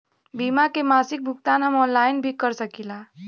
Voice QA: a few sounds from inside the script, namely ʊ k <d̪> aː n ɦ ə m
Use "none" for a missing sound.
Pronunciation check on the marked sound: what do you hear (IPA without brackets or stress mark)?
t̪